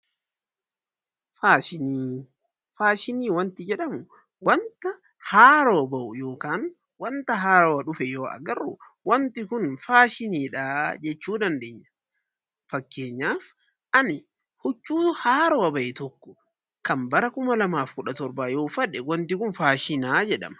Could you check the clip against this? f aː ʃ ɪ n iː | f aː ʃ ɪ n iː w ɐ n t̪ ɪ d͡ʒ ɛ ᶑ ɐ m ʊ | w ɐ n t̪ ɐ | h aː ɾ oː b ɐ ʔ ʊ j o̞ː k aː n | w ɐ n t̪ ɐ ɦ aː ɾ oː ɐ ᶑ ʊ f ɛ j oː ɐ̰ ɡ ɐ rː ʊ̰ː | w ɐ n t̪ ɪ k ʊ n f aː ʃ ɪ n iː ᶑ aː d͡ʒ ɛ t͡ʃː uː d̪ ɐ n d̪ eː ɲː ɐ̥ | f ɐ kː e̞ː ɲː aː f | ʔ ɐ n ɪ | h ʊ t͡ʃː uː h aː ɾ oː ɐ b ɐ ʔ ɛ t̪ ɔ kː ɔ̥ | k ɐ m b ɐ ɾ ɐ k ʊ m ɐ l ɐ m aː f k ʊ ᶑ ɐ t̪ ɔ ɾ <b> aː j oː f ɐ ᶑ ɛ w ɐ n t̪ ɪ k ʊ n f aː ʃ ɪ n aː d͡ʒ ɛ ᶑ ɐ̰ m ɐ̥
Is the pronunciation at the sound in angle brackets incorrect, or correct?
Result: correct